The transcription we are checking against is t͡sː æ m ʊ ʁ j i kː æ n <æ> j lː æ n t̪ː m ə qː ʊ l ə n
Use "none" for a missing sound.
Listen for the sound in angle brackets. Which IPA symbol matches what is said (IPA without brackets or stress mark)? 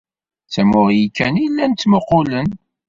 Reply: i